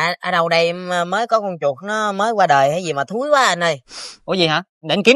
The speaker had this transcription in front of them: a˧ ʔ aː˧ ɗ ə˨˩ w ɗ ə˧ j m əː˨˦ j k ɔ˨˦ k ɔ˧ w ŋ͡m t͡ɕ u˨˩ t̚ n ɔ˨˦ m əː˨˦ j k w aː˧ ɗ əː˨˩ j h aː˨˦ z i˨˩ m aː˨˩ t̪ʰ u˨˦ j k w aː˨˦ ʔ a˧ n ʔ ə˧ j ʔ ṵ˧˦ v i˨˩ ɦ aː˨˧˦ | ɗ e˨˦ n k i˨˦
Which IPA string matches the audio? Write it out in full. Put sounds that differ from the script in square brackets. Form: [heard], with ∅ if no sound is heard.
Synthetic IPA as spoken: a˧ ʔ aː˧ ɗ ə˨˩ w ɗ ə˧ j m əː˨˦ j k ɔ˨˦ k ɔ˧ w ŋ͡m t͡ɕ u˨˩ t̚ n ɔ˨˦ m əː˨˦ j k w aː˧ ɗ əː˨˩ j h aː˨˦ z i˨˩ m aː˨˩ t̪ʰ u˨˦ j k w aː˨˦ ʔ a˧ n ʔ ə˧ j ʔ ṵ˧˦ [z] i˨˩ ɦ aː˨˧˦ | ɗ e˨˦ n k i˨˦